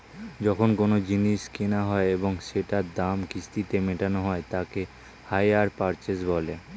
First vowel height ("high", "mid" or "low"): mid